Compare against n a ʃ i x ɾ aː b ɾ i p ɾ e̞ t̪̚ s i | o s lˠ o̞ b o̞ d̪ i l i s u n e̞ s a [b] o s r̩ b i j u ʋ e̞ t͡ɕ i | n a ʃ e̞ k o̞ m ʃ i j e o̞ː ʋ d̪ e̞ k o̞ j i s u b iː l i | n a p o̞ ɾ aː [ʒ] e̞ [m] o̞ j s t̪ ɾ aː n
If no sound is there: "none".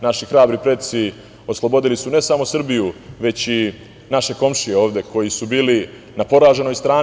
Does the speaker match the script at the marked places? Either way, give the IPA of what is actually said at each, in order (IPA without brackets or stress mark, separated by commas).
m, ʒ, n